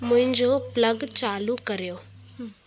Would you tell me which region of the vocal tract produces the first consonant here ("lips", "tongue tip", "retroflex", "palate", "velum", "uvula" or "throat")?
lips